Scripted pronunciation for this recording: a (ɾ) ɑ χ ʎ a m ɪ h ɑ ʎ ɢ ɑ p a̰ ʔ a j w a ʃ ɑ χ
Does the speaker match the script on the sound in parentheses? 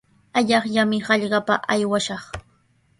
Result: no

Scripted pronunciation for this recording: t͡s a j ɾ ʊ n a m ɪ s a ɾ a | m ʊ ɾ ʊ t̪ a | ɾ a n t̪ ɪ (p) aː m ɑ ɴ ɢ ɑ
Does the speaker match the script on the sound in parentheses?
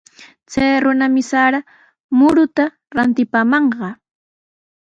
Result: yes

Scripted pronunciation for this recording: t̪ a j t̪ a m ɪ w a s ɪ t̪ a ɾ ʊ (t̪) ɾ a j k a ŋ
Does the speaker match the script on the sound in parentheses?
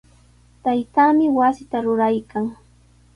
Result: no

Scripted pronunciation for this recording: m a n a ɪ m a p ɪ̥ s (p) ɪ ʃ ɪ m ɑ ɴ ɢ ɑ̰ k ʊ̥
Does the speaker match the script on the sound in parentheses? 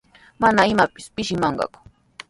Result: yes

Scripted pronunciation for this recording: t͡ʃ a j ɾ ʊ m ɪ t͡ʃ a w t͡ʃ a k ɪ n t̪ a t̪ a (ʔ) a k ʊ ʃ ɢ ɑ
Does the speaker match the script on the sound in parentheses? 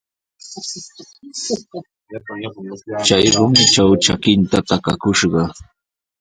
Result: no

